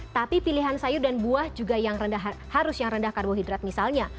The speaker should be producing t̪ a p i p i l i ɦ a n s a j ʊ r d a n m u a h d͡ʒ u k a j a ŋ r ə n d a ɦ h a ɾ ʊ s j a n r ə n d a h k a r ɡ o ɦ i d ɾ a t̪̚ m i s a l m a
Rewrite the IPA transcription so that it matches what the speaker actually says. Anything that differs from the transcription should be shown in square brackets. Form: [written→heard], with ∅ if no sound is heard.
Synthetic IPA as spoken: t̪ a p i p i l i ɦ a n s a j ʊ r d a n [m→b] u a h d͡ʒ u [k→ɡ] a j a ŋ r ə n d a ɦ h a ɾ ʊ s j a [n→ŋ] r ə n d a h k a r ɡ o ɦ i d ɾ a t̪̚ m i s a l [m→ɲ] a